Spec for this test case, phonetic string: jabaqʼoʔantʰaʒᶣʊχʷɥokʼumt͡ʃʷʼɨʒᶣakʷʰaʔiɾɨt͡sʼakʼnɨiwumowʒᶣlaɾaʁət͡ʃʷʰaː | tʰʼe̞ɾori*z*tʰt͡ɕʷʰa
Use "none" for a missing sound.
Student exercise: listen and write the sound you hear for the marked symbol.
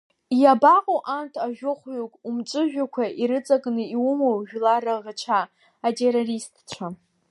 s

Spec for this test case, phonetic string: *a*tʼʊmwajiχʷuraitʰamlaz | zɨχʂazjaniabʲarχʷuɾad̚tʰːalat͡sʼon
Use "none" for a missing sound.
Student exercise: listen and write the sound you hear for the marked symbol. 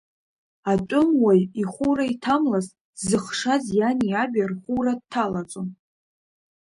a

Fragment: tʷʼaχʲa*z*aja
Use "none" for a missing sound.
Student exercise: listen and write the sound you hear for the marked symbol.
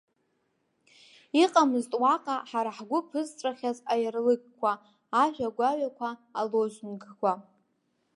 z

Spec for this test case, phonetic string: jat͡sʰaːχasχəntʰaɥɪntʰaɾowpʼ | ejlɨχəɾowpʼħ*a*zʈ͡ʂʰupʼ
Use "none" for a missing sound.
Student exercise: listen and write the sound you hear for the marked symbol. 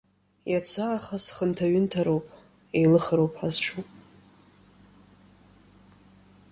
a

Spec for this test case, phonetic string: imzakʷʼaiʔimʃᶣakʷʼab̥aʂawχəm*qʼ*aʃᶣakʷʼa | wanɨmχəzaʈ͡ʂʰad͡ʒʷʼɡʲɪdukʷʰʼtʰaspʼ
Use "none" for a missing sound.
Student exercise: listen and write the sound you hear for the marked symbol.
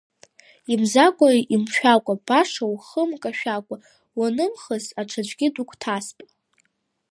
kʼ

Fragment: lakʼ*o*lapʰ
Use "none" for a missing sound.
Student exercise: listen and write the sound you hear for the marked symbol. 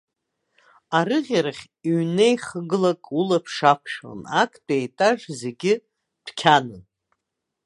u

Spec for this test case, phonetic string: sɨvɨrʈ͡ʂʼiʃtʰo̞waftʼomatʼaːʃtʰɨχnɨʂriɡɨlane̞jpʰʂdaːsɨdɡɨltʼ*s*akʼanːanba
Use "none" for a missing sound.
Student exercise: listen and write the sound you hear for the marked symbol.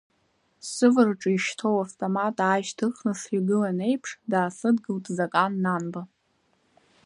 z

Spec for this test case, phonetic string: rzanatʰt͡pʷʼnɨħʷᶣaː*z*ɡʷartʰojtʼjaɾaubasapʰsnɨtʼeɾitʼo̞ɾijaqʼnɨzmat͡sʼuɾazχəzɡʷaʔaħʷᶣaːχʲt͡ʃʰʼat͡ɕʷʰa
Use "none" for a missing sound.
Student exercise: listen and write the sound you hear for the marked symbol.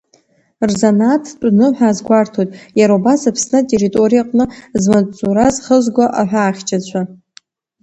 z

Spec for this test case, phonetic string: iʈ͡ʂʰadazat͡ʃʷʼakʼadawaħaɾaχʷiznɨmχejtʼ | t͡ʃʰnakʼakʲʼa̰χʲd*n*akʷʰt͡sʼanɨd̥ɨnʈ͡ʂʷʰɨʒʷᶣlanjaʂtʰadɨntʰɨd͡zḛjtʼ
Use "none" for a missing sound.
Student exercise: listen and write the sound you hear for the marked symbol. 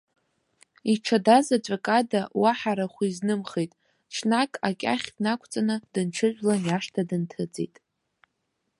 n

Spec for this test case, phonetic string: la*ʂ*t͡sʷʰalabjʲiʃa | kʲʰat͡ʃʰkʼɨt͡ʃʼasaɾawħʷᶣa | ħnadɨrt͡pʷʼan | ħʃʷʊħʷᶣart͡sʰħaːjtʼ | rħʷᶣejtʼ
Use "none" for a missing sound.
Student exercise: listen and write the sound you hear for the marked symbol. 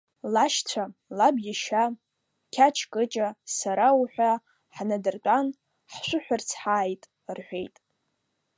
ʃ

